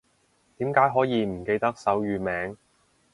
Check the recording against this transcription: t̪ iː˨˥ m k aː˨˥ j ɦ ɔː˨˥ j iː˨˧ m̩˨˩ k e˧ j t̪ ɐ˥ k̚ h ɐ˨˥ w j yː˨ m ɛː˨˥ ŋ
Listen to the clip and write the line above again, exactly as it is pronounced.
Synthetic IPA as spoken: t̪ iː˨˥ m k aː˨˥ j ɦ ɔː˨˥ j iː˨˧ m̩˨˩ k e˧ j t̪ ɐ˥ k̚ s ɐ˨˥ w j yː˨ m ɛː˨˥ ŋ